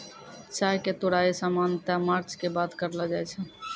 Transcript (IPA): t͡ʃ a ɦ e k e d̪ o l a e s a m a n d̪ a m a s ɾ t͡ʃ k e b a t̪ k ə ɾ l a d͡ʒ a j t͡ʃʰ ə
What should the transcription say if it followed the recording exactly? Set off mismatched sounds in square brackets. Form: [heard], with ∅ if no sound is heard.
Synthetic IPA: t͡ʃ a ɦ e k e [t̪] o [ɽ] a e s a m a n [t̪] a m a [∅] ɾ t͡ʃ k e b a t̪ k ə ɾ l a d͡ʒ a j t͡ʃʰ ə

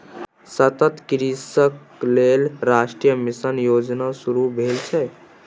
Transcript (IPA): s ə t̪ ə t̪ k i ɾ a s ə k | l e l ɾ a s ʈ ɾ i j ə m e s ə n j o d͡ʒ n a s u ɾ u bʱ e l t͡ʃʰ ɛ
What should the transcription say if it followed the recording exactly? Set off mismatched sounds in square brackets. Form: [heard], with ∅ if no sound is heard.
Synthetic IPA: s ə t̪ ə t̪ k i ɾ [i] s ə k | l e l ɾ a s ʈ ɾ i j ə m [i] s ə n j o d͡ʒ n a s u ɾ u bʱ e l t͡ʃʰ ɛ

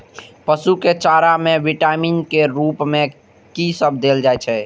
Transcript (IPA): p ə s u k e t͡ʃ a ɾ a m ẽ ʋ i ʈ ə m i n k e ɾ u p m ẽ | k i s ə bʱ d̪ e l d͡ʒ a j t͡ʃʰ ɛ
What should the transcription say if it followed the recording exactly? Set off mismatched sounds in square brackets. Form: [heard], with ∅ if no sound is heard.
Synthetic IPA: p ə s u k e t͡ʃ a ɾ a m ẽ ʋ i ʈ [a] m i n k e ɾ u p m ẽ | k i s ə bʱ d̪ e l d͡ʒ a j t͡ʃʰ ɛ

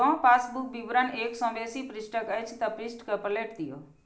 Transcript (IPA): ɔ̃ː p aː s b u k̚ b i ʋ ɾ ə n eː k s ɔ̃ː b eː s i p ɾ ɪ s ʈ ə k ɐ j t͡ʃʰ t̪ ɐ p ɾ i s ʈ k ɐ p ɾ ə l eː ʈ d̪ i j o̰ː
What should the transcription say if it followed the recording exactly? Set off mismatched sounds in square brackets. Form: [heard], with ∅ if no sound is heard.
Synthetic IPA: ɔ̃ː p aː s b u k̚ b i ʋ ɾ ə n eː k s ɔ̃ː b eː s i p ɾ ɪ s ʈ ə k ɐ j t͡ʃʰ t̪ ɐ p ɾ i s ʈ k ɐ p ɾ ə l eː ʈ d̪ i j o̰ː

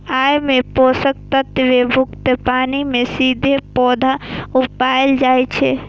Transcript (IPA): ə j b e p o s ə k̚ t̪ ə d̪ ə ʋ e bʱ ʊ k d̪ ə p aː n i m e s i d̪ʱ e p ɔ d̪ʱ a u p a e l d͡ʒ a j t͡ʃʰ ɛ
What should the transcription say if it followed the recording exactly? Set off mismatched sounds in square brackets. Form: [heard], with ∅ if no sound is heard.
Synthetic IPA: [a] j [m] e p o s ə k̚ t̪ ə [t̪] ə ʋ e bʱ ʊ k [t̪] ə p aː n i m e s i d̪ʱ e p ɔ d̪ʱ a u p a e l d͡ʒ a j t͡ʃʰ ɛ

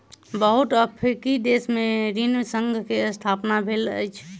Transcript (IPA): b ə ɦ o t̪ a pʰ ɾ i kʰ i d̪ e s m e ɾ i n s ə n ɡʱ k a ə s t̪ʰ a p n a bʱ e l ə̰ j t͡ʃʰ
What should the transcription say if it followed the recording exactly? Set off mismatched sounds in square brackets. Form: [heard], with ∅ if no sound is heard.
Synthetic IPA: b ə ɦ [u] t̪ [ə] pʰ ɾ i [k] i d̪ e s m e ɾ i n s ə [ŋ] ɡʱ k [e] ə s t̪ʰ a p n a bʱ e l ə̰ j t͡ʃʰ

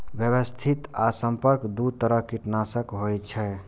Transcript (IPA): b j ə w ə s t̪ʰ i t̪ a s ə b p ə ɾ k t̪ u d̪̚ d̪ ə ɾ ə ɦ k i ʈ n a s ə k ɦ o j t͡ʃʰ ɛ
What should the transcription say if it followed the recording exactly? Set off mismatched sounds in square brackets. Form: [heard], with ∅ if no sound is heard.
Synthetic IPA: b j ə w ə s t̪ʰ i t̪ a s ə [m] p ə ɾ k [d̪] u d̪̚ [t̪] ə ɾ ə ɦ k i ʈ n a s ə k ɦ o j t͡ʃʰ ɛ

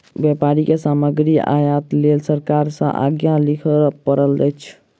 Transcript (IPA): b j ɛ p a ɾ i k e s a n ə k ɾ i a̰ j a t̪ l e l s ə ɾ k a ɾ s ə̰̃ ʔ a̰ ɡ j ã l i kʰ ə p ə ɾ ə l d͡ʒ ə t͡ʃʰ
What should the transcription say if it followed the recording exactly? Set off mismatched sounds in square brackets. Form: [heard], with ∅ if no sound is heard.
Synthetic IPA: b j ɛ p a ɾ i k e s a [m] ə [ɡ] ɾ i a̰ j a t̪ l e l s ə ɾ k a ɾ s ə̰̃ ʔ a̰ ɡ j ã l i kʰ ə p ə ɾ ə l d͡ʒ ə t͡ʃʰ

